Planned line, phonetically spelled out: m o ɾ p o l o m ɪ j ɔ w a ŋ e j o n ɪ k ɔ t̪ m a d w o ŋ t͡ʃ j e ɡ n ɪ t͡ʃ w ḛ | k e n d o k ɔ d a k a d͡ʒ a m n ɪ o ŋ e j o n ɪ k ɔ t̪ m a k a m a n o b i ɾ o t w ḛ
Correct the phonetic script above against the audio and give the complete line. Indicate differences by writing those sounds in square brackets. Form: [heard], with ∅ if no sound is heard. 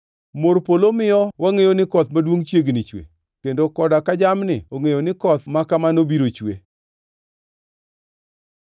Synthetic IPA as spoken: m o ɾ p o l o m ɪ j ɔ w a ŋ e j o n ɪ k ɔ t̪ m a d w o ŋ t͡ʃ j e ɡ n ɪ t͡ʃ w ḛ | k e n d o k ɔ d a k a d͡ʒ a m n ɪ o ŋ e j o n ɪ k ɔ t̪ m a k a m a n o b i ɾ o [t͡ʃ] w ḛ